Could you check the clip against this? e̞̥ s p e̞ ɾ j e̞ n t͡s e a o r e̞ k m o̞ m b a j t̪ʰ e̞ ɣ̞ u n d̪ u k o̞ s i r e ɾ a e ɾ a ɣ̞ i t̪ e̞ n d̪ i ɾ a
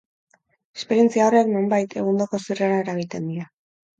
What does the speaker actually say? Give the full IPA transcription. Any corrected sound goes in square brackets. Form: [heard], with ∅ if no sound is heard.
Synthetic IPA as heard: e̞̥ s p e̞ ɾ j e̞ n t͡s [i] a o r e̞ k [n] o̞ m b a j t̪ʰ e̞ ɣ̞ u n d̪ [o] k o̞ s i r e ɾ a e ɾ a ɣ̞ i t̪ e̞ n d̪ i ɾ a